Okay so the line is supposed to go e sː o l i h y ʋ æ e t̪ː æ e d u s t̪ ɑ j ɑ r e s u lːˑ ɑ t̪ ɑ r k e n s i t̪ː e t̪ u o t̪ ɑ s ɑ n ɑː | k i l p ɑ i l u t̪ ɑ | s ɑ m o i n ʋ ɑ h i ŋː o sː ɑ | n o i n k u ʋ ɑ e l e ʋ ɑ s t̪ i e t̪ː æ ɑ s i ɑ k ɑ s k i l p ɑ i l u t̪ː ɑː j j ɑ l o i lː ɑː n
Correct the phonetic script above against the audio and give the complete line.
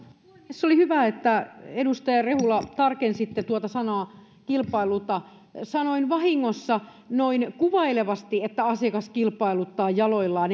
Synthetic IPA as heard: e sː o l i h y ʋ æ e t̪ː æ e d u s t̪ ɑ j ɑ r e h u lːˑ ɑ t̪ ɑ r k e n s i t̪ː e t̪ u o t̪ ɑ s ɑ n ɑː | k i l p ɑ i l u t̪ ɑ | s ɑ n o i n ʋ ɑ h i ŋː o sː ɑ | n o i n k u ʋ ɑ i l e ʋ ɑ s t̪ i e t̪ː æ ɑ s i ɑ k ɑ s k i l p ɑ i l u t̪ː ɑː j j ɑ l o i lː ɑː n